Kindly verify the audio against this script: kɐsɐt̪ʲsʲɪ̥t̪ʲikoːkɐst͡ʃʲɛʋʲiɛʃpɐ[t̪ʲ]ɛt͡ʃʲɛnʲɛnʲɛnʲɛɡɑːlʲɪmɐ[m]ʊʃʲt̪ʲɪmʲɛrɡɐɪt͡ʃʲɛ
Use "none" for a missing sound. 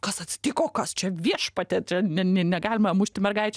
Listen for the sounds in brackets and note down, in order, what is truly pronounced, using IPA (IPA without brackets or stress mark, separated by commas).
t̪ʲ, m